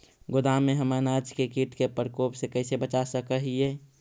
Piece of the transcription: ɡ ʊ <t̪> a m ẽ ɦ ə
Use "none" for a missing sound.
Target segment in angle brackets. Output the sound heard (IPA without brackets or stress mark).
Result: d̪